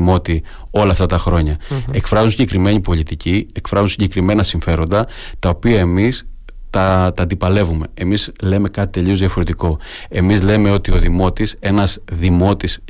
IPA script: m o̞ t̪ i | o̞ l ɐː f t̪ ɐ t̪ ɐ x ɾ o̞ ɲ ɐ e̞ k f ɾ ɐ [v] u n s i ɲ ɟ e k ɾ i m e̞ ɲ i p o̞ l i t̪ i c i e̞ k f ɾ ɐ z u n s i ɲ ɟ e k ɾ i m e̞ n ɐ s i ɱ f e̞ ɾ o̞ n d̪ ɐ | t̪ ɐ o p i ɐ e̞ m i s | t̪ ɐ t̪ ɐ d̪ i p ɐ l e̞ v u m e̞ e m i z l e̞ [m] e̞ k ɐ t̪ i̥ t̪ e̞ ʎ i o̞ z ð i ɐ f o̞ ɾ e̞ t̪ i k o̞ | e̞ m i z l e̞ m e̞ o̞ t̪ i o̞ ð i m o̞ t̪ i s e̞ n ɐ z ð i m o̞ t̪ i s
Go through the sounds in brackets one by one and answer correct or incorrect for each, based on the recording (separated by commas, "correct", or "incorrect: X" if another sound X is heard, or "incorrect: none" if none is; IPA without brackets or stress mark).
incorrect: z, correct